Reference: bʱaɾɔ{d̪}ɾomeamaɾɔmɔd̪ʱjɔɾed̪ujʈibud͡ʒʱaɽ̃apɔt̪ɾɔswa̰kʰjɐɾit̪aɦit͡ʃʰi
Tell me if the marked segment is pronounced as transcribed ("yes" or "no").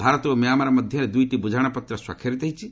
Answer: no